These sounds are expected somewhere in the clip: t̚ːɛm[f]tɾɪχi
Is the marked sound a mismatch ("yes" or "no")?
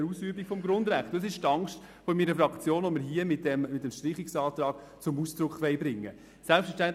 yes